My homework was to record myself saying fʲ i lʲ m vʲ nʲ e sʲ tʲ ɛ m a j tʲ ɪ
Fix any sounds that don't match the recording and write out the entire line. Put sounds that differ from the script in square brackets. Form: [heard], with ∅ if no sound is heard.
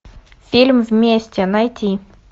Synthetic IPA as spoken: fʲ i lʲ m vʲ [mʲ] e sʲ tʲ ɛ [n] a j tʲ [i]